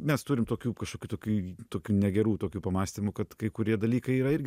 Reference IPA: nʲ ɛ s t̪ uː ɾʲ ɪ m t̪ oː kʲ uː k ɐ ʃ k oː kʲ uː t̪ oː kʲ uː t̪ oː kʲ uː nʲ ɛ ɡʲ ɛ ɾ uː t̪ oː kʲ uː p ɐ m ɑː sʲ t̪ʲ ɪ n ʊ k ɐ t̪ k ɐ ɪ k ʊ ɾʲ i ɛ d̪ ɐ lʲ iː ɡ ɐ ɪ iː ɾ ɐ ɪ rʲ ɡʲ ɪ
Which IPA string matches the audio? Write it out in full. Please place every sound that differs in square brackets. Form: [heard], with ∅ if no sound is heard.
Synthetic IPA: [mʲ] ɛ s t̪ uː ɾʲ ɪ m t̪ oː kʲ uː k ɐ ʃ k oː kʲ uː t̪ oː kʲ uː t̪ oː kʲ uː nʲ ɛ ɡʲ ɛ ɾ uː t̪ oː kʲ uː p ɐ m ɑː sʲ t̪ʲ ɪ [m] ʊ k ɐ t̪ k ɐ ɪ k ʊ ɾʲ i ɛ d̪ ɐ lʲ iː [k] ɐ ɪ iː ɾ ɐ ɪ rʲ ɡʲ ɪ